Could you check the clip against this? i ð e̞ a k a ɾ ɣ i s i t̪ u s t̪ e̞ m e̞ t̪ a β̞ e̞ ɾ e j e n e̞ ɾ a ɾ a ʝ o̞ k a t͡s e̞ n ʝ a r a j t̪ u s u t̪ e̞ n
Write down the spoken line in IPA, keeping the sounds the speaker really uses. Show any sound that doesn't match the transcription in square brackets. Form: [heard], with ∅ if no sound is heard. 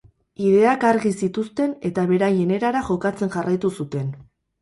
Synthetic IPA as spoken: i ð e̞ a k a ɾ ɣ i s i t̪ u s t̪ e̞ [n] e̞ t̪ a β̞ e̞ ɾ [a] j e n e̞ ɾ a ɾ a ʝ o̞ k a t͡s e̞ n ʝ a r a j t̪ u s u t̪ e̞ n

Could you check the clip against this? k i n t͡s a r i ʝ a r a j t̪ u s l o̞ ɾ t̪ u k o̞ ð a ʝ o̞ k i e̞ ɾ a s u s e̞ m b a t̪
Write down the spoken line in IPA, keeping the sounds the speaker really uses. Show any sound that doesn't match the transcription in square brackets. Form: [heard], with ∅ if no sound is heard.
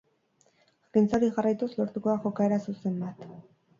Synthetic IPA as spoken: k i n t͡s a [ɾ] i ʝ a r a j t̪ u s l o̞ ɾ t̪ u k o̞ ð a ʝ o̞ k [a] e̞ ɾ a s u s e̞ m b a t̪

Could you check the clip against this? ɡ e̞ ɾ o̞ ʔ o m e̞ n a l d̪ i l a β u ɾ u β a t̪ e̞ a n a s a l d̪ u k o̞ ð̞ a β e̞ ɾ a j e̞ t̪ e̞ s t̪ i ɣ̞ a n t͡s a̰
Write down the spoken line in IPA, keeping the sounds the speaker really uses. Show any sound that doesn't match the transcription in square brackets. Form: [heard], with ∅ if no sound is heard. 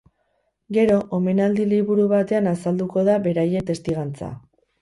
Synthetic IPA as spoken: ɡ e̞ ɾ o̞ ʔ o m e̞ n a l d̪ i l [i] β u ɾ u β a t̪ e̞ a n a s a l d̪ u k o̞ ð̞ a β e̞ ɾ a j e̞ t̪ e̞ s t̪ i ɣ̞ a n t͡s a̰

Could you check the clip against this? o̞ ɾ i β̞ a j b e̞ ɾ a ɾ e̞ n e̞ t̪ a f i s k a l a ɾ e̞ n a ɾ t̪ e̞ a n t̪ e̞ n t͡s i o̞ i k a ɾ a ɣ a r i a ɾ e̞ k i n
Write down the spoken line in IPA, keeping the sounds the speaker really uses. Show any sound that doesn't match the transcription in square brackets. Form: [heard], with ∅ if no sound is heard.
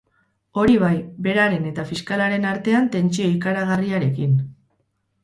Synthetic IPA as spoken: o̞ ɾ i β̞ a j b e̞ ɾ a ɾ e̞ n e̞ t̪ a f i s k a l a ɾ e̞ n a ɾ t̪ e̞ a n t̪ e̞ n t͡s i o̞ i k a ɾ a ɣ a r i a ɾ e̞ k i n

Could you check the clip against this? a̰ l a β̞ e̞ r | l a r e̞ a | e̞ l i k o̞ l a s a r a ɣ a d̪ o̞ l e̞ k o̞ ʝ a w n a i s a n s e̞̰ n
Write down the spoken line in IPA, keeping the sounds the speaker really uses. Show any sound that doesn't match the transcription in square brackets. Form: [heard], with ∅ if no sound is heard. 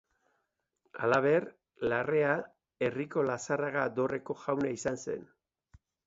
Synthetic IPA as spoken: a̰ l a β̞ e̞ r | l a r e̞ a | e̞ [r] i k o̞ l a s a r a ɣ a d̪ o̞ [r] e̞ k o̞ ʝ a w n a i s a n s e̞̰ n

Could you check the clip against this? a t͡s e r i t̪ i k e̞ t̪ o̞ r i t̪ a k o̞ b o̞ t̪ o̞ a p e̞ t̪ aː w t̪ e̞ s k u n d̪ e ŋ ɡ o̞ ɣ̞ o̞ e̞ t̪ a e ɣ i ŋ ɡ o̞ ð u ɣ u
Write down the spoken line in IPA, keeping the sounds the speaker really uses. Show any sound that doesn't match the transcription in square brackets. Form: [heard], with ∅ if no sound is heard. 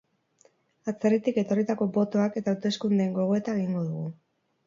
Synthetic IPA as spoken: a t͡s e r i t̪ i k e̞ t̪ o̞ r i t̪ a k o̞ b o̞ t̪ o̞ a [k] e̞ t̪ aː w t̪ e̞ s k u n d̪ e ŋ ɡ o̞ ɣ̞ o̞ e̞ t̪ a e ɣ i ŋ ɡ o̞ ð u ɣ u

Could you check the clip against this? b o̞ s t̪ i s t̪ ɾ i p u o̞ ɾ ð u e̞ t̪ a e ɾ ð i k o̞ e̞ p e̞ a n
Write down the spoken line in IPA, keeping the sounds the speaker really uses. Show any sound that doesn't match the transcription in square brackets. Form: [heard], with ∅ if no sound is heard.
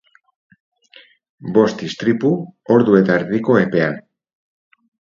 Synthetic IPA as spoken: b o̞ s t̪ i s t̪ ɾ i p u o̞ ɾ ð u e̞ t̪ a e ɾ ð i k o̞ e̞ p e̞ a n

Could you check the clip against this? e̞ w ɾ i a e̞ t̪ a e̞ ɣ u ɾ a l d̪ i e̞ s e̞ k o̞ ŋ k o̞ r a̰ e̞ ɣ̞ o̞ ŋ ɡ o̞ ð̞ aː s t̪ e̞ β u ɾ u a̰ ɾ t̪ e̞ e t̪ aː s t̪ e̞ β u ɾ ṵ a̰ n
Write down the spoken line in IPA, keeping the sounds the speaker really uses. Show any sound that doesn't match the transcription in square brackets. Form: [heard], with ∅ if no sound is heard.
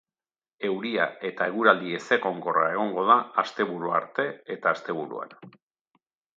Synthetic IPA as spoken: e̞ w ɾ i a e̞ t̪ a e̞ ɣ u ɾ a l d̪ i e̞ s e̞ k o̞ ŋ k o̞ r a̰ e̞ ɣ̞ o̞ ŋ ɡ o̞ ð̞ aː s t̪ e̞ β u ɾ u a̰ ɾ t̪ e̞ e t̪ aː s t̪ e̞ β u ɾ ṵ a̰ n

